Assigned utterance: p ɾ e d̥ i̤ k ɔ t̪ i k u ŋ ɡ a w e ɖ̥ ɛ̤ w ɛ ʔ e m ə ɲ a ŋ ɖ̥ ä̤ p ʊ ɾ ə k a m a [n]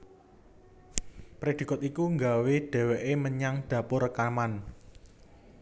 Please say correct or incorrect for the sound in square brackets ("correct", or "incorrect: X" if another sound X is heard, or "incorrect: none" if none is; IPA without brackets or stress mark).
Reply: correct